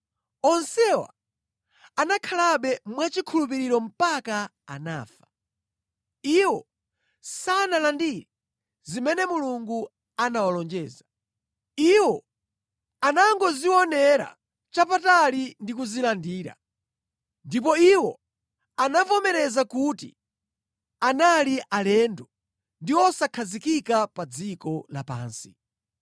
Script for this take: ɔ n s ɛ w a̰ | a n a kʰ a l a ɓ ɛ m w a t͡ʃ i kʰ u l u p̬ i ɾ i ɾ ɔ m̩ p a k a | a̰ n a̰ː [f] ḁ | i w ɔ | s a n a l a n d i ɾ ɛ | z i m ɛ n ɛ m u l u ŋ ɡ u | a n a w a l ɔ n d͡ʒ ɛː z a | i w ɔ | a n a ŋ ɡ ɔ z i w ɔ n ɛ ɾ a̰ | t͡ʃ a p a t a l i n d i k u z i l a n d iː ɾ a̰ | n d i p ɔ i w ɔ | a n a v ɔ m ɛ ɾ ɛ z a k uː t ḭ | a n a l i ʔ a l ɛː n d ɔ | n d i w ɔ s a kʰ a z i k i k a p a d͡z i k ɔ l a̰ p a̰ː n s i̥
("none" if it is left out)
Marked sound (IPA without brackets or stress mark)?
f